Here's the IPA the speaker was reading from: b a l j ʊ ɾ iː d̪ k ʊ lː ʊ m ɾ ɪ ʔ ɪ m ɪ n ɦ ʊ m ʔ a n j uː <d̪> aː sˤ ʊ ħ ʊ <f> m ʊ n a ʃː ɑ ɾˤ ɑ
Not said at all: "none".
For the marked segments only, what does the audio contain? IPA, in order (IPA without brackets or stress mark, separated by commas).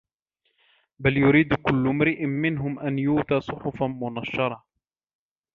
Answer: t̪, f